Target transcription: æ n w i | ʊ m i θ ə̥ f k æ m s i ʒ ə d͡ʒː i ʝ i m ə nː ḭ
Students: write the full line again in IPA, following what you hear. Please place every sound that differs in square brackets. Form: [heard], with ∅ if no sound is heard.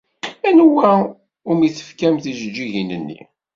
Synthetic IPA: æ n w [æ] | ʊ m i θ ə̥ f k æ m [θ] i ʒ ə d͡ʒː i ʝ i [n] ə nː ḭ